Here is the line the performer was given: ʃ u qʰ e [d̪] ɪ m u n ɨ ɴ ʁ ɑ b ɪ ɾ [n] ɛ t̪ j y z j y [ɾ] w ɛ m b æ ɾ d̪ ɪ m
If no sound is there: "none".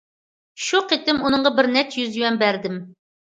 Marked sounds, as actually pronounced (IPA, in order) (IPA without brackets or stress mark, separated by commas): t̪, n, none